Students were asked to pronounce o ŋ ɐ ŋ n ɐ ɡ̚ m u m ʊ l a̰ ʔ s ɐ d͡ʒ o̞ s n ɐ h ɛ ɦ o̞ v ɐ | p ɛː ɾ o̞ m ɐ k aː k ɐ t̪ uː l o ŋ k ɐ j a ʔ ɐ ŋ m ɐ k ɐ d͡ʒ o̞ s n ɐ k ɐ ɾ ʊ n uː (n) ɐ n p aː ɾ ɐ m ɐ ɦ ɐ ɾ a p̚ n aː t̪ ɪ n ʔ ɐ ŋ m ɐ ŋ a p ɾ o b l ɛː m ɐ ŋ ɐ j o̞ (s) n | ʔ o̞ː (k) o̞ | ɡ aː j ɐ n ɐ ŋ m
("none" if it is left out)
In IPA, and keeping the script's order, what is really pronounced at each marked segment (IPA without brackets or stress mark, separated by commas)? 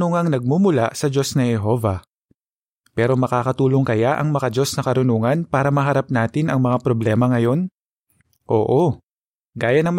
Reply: ŋ, none, ʔ